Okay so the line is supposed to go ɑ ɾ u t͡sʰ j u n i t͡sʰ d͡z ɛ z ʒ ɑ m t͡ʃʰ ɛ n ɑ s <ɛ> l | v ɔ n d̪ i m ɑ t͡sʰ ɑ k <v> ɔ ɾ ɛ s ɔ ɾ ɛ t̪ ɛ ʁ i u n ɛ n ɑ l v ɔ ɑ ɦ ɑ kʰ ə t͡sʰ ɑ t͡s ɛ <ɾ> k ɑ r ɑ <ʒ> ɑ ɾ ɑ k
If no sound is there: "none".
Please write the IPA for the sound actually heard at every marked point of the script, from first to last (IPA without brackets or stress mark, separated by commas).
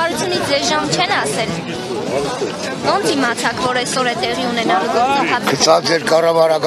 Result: ɛ, v, ɾ, v